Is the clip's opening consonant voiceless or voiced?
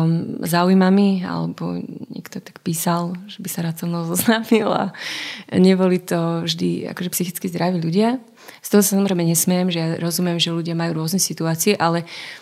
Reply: voiced